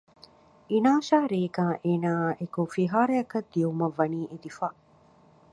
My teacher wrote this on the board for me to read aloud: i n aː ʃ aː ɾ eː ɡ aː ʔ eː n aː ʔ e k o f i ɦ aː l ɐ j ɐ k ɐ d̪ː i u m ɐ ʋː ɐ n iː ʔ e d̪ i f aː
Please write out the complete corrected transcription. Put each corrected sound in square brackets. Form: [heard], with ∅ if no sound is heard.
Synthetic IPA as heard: i n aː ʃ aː ɾ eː ɡ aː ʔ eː n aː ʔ e k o f i ɦ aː [ɾ] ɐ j ɐ k ɐ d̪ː i u m ɐ ʋː ɐ n iː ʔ e d̪ i f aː